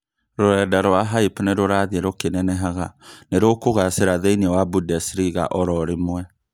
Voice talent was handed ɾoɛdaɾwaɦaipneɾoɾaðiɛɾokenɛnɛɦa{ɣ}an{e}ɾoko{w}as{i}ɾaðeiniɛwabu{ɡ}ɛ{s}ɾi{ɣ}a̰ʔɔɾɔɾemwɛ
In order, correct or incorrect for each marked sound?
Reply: correct, correct, incorrect, incorrect, incorrect, correct, correct

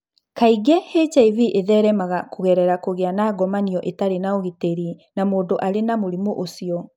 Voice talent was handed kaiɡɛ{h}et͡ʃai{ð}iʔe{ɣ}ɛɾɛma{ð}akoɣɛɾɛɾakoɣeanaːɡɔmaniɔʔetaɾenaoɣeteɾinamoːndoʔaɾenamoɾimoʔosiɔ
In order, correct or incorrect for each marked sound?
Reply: correct, incorrect, incorrect, incorrect

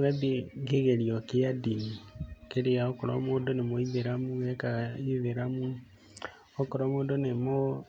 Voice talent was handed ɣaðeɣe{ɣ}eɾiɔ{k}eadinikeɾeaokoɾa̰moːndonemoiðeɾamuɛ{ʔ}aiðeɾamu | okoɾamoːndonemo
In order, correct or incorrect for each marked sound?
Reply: correct, correct, incorrect

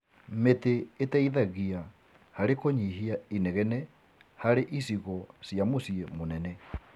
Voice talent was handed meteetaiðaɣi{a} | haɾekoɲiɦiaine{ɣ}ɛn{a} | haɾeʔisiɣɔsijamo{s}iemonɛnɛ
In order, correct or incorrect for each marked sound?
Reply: correct, correct, incorrect, correct

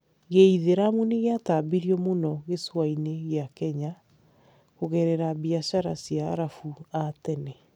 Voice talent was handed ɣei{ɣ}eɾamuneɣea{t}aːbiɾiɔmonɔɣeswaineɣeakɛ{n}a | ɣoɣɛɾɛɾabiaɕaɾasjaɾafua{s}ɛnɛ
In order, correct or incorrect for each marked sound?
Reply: incorrect, correct, incorrect, incorrect

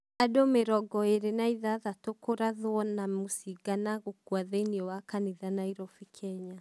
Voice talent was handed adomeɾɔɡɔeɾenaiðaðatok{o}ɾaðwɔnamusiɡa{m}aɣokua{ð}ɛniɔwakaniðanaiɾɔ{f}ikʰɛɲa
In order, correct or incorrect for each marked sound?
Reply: correct, incorrect, correct, correct

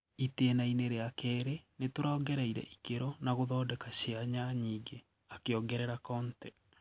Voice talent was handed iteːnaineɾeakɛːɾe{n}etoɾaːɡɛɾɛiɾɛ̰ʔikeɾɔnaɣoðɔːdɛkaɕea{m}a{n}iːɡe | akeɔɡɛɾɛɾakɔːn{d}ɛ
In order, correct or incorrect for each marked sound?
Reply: correct, incorrect, incorrect, incorrect

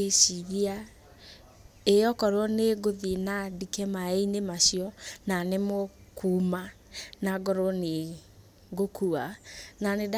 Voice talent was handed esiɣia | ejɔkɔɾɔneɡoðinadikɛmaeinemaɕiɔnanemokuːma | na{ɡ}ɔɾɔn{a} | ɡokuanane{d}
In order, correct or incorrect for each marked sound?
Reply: correct, incorrect, correct

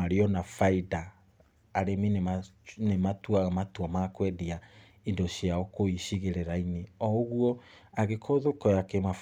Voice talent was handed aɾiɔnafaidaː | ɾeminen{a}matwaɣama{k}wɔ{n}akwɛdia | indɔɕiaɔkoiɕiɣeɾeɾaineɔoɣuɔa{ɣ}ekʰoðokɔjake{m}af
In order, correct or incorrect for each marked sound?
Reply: incorrect, incorrect, incorrect, correct, correct

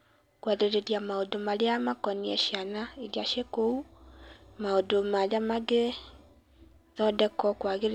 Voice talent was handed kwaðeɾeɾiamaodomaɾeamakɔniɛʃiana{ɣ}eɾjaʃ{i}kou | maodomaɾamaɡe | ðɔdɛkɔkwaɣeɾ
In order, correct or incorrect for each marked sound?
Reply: incorrect, incorrect

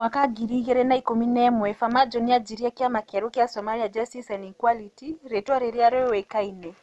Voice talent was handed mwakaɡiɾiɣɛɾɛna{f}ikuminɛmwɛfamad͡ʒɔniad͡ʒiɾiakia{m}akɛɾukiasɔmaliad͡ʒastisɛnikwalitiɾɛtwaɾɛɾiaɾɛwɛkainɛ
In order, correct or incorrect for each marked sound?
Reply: incorrect, correct

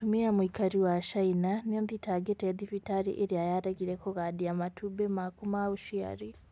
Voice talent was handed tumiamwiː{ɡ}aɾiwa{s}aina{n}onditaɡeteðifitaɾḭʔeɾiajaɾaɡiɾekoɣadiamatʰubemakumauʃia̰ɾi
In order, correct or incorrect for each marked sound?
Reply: incorrect, incorrect, correct

